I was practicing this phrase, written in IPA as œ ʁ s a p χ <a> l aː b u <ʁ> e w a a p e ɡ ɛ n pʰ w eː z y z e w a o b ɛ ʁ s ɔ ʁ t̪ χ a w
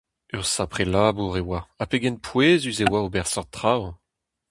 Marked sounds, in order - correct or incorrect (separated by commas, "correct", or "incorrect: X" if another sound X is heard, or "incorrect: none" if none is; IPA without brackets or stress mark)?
incorrect: e, correct